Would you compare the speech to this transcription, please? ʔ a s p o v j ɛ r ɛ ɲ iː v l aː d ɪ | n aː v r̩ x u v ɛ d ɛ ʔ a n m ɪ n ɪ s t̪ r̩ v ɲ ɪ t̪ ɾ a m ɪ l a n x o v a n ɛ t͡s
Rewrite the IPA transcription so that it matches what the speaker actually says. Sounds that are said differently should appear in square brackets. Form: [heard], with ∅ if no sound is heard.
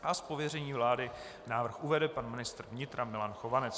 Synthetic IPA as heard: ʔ a s p o v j ɛ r ɛ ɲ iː v l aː d ɪ | n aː v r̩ x u v ɛ d ɛ [p] a n m ɪ n ɪ s t̪ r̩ v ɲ ɪ t̪ ɾ a m ɪ l a n x o v a n ɛ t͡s